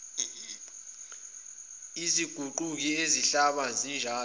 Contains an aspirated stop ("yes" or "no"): no